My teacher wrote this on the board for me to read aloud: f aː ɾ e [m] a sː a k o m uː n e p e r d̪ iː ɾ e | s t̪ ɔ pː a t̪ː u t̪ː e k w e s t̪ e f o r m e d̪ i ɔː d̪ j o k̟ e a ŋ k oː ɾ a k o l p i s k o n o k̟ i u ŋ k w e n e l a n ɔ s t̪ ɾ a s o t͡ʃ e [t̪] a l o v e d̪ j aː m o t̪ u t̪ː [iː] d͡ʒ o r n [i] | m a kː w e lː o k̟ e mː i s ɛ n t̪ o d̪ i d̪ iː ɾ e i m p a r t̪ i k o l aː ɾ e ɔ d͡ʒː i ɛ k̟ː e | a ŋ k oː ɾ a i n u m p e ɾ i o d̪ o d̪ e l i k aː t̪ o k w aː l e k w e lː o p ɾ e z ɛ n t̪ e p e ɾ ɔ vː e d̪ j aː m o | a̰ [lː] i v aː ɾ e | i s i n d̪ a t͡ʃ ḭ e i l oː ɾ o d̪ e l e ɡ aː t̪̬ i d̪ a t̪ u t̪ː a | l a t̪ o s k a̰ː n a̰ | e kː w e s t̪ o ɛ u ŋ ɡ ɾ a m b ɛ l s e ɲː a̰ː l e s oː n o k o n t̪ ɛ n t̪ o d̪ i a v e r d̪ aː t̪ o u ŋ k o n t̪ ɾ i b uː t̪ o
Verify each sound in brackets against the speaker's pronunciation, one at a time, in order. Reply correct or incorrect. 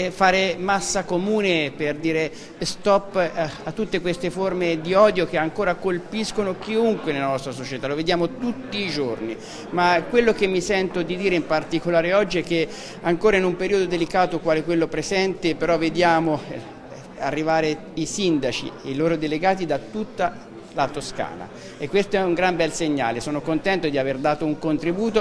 correct, correct, correct, correct, incorrect: rː

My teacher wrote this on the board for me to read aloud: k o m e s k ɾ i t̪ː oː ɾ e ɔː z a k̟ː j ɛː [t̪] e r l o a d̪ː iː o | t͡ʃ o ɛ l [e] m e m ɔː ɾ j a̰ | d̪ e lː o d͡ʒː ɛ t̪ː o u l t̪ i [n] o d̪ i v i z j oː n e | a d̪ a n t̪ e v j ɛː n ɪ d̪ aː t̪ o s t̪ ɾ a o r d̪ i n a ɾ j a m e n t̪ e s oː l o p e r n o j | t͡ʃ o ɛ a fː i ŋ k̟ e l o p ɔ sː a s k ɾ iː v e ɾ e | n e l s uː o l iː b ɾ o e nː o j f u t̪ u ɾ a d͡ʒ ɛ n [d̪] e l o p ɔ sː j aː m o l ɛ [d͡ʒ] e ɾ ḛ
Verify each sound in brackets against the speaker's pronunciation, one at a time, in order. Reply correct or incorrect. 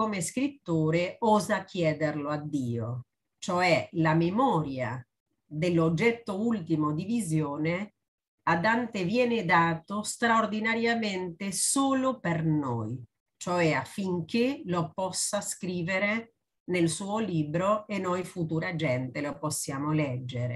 incorrect: d̪, incorrect: a, incorrect: m, incorrect: t̪, incorrect: d͡ʒː

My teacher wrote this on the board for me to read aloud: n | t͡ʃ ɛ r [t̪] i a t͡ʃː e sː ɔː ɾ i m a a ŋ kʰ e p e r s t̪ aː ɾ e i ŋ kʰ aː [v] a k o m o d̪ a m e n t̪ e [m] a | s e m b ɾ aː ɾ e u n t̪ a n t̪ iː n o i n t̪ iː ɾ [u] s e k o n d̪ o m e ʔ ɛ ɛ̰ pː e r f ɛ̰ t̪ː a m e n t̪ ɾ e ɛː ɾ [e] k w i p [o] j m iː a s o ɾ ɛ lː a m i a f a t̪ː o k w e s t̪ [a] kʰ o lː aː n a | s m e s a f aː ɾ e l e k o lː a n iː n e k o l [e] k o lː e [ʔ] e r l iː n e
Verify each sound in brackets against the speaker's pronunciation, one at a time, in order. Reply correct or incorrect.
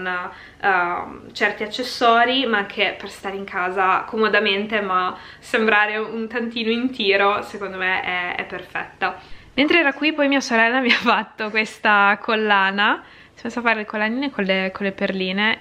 correct, incorrect: z, correct, incorrect: o, incorrect: a, incorrect: ɔ, correct, correct, incorrect: p

